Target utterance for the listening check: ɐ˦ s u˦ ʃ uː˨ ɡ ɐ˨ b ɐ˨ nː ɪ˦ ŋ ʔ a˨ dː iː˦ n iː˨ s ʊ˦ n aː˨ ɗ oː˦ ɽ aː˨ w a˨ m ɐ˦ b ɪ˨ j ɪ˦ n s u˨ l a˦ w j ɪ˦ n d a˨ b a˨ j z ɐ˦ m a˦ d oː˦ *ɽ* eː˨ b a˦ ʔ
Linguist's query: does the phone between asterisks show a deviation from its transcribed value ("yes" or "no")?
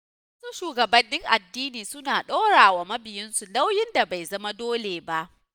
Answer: yes